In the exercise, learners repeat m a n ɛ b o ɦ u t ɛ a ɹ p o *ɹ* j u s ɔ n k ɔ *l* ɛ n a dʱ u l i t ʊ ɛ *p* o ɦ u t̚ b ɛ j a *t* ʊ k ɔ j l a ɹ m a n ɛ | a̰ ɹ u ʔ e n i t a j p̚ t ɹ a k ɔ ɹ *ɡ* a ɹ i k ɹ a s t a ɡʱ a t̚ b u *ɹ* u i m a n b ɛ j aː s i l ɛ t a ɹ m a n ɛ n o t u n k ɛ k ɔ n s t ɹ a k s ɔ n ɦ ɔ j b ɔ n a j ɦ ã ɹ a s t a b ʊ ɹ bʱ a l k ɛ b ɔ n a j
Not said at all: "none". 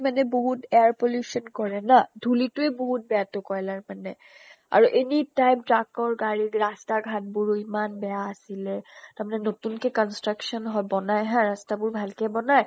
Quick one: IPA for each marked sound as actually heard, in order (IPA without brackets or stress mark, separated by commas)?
l, ɹ, b, t, ɡ, ɹ